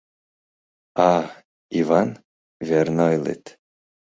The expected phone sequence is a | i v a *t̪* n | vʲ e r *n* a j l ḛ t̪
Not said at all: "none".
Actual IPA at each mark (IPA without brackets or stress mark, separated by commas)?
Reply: none, n